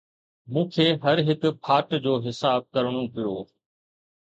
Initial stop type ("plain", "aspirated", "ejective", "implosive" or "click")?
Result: aspirated